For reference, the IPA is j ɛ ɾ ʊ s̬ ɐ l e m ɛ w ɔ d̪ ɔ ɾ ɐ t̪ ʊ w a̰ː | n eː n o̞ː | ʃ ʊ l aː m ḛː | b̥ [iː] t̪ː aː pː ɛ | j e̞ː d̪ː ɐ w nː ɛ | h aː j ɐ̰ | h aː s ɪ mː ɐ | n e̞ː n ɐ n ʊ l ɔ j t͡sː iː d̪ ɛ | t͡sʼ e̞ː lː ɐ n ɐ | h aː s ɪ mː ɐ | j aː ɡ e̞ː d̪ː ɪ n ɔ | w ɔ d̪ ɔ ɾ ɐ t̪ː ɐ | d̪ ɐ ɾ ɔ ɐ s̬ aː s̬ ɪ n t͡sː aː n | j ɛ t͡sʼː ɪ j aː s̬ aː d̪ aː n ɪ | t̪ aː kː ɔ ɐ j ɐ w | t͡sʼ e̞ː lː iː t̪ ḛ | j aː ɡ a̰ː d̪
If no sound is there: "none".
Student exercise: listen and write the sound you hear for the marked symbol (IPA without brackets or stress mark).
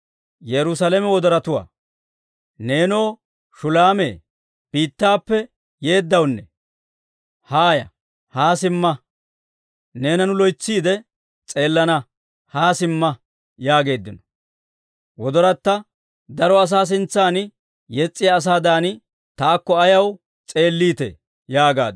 iː